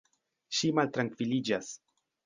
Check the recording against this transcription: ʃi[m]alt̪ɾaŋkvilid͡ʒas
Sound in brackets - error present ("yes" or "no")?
no